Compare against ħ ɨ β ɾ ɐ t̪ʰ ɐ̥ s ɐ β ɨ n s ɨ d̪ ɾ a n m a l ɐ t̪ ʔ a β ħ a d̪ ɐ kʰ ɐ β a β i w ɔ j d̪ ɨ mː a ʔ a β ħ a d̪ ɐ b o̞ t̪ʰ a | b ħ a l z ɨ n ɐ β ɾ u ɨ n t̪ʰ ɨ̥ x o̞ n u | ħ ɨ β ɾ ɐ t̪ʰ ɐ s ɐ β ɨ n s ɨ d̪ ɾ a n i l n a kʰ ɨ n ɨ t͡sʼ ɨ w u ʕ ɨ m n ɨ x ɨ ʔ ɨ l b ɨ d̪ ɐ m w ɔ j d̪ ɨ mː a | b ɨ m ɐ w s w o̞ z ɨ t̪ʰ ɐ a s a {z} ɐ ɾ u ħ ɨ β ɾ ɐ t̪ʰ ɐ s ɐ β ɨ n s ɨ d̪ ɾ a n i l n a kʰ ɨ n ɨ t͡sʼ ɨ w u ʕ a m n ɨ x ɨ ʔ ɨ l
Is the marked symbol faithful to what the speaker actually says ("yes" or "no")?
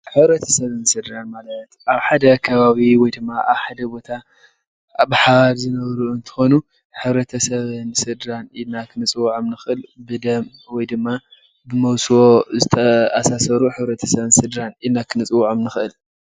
no